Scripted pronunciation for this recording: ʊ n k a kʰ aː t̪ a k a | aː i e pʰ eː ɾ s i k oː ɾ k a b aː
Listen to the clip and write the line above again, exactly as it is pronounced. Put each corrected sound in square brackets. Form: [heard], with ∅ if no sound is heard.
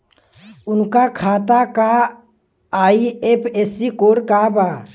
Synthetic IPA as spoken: ʊ n k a kʰ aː t̪ a k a | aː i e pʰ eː [∅] s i k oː ɾ k a b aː